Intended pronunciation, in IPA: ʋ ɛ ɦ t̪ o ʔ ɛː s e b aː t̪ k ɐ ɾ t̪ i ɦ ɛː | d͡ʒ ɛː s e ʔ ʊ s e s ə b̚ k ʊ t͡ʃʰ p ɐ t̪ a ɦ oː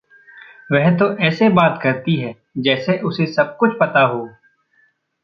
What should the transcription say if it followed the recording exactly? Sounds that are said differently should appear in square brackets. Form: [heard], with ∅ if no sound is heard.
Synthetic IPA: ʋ ɛ ɦ t̪ o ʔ ɛː s e b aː t̪ k ɐ ɾ t̪ i ɦ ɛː | d͡ʒ ɛː s e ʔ ʊ s e s [ɐ] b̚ k ʊ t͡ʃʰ p ɐ t̪ a ɦ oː

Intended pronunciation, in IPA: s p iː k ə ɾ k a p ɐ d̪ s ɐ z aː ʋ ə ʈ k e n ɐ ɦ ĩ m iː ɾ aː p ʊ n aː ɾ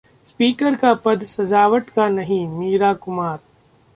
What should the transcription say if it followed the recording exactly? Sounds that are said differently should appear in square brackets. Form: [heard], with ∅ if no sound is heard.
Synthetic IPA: s p iː k ə ɾ k a p ɐ d̪ s ɐ z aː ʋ ə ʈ k [a] n ɐ ɦ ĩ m iː ɾ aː [k] ʊ [m] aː ɾ

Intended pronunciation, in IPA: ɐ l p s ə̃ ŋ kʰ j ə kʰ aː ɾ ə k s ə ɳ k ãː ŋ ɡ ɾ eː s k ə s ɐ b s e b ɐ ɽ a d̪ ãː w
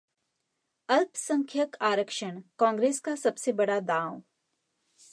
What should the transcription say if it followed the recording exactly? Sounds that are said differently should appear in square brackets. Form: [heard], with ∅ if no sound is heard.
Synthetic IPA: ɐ l p s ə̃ ŋ kʰ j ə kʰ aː ɾ ə k [ʃ] ə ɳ k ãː ŋ ɡ ɾ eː s k [a] s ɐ b s e b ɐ ɽ a d̪ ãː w

